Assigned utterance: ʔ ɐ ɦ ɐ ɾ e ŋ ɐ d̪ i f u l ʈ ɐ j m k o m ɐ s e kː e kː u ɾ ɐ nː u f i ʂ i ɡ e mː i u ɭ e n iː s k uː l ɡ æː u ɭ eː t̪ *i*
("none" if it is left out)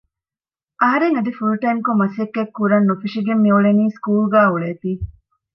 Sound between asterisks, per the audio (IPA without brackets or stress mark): iː